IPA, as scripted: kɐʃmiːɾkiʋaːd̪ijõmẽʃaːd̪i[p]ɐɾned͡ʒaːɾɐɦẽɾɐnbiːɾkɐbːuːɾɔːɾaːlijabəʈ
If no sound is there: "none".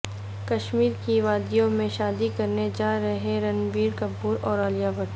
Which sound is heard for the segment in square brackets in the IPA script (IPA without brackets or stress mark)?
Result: k